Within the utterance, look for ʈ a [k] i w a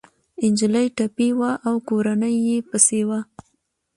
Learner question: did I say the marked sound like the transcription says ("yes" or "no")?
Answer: no